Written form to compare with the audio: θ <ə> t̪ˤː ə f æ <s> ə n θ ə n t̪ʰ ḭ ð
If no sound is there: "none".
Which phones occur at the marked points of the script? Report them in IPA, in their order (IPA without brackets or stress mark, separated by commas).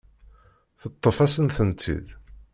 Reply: ə, s